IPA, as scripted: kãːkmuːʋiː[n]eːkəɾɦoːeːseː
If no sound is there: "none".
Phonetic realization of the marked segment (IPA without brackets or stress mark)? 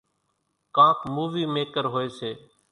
m